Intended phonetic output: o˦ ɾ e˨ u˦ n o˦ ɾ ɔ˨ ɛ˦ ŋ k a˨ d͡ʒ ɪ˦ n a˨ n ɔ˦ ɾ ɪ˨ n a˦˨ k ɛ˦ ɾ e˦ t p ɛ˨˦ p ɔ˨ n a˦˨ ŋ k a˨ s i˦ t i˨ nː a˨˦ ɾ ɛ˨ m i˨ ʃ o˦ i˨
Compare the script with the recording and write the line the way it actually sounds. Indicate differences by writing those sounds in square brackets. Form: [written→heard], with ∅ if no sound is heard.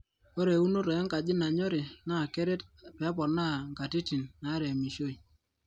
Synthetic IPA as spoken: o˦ ɾ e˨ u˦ n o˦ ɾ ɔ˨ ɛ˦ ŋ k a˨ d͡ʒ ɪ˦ n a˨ [n→ɲ] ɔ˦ ɾ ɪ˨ n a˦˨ k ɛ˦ ɾ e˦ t p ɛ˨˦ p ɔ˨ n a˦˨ ŋ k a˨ [s→t] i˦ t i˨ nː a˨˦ ɾ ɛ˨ m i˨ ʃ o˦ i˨